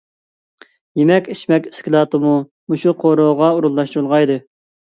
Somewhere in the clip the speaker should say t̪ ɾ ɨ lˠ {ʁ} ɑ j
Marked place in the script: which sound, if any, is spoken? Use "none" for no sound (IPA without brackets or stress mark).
ʁ